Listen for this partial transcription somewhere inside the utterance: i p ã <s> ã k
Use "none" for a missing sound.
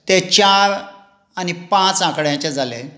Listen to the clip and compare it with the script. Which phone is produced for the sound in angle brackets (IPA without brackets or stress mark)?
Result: t͡s